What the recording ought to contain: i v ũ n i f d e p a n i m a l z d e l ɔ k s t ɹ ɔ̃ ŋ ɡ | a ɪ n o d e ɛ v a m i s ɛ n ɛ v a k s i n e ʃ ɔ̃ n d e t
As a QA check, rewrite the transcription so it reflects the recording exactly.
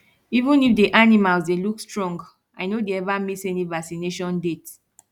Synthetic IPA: i v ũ n i f d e ʔ a n i m a l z d e l u k s t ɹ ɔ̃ ŋ ɡ | a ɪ n o d e ɛ v a m i s ɛ n i v a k s i n e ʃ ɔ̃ n d e t